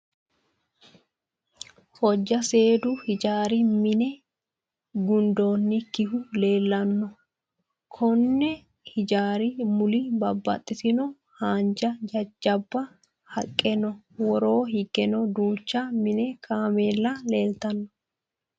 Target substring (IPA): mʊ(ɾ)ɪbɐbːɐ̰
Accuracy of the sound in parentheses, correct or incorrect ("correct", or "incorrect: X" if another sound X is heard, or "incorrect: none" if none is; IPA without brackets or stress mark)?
incorrect: l